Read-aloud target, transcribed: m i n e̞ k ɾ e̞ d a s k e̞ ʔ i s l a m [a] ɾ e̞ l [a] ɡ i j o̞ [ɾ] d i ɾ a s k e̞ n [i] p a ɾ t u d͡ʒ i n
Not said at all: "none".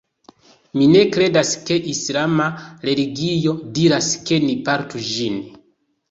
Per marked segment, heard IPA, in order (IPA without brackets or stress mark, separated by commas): a, i, none, i